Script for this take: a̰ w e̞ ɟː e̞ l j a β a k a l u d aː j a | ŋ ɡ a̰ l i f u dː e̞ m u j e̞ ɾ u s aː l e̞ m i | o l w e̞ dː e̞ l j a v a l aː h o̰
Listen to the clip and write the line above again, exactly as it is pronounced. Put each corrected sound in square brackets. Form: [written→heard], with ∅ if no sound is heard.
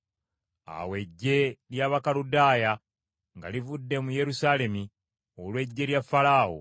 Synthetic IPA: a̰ w e̞ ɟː e̞ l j a β a k a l u d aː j a | ŋ ɡ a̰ l i [f→v] u dː e̞ m u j e̞ ɾ u s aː l e̞ m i | o l w e̞ [dː→ɟː] e̞ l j a [v→f] a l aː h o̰